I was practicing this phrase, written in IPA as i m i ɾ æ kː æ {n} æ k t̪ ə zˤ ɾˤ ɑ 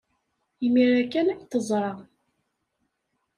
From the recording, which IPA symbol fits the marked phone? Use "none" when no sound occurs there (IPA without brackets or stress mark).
n